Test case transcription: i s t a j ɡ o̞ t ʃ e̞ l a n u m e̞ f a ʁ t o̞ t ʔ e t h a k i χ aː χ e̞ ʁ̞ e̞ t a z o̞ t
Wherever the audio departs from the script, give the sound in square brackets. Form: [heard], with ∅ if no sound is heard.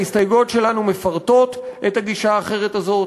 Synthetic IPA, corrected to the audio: i s t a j ɡ o̞ t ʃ e̞ l a n u m e̞ f a ʁ t o̞ t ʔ e t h a [ɡ] i [ʃ] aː χ e̞ ʁ̞ e̞ t a z o̞ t

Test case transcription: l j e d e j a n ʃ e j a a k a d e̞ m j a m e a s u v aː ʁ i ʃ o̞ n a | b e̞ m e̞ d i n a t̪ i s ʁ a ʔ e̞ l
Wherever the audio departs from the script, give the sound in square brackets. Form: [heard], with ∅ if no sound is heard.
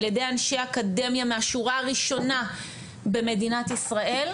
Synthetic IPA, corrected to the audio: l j e d e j a n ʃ e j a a k a d e̞ m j a m e a [ʃ] u [ʁ] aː ʁ i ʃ o̞ n a | b e̞ m e̞ d i n a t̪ i s ʁ a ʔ e̞ l

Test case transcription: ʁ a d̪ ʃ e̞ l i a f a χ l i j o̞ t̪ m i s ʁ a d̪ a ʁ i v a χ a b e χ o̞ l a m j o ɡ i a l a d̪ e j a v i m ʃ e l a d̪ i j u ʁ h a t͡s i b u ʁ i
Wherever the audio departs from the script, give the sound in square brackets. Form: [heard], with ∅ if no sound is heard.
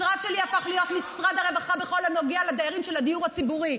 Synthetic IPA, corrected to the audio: ʁ a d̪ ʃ e̞ l i a f a χ l i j o̞ t̪ m i s ʁ a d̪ a ʁ [e] v a χ a b e χ o̞ l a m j o ɡ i a l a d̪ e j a [ʁ] i m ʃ e l a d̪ i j u ʁ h a t͡s i b u ʁ i

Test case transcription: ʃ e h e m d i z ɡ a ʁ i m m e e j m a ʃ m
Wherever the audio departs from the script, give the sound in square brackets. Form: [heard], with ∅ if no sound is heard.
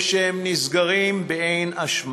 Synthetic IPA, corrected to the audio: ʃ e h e m [n] i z ɡ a ʁ i m [b] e e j [n] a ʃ m

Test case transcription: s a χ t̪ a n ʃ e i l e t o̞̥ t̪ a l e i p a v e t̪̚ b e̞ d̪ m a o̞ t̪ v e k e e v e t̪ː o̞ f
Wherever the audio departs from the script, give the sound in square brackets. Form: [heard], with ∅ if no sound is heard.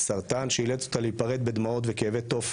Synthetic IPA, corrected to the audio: s a [ʁ] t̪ a n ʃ e i l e t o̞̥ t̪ a l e i p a [ʁ] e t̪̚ b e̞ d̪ m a o̞ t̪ v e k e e v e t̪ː o̞ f

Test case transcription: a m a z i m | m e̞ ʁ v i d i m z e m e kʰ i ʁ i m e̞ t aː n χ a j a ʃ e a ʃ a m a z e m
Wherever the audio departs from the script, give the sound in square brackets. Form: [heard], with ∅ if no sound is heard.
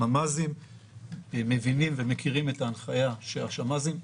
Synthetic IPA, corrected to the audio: a m a z i m | m e̞ [∅] v i [n] i m [v] e m e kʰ i ʁ i m e̞ t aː n χ a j a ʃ e a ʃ a m a z [i] m

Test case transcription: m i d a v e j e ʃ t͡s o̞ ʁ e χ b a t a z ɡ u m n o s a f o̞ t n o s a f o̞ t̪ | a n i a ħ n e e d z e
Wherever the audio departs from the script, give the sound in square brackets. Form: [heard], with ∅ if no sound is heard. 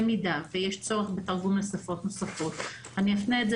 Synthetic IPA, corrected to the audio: m i d a v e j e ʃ t͡s o̞ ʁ e χ b [e] t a [ʁ] ɡ u m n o s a f o̞ t n o s a f o̞ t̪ | a n i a [f] n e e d z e

